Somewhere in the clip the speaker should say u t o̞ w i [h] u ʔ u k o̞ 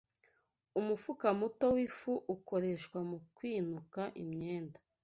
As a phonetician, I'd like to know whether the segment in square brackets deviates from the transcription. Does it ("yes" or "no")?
yes